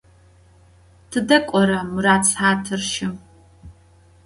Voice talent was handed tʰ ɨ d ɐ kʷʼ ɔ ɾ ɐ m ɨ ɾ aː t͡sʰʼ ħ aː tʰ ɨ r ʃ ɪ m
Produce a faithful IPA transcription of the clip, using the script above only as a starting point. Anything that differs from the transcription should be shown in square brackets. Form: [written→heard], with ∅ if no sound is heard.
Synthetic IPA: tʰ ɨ d ɐ kʷʼ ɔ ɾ ɐ m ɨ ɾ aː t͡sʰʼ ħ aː tʰ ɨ r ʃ ɪ m